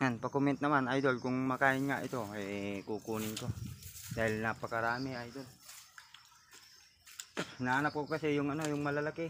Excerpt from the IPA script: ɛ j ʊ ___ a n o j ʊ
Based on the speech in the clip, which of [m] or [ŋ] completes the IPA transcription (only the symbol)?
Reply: ŋ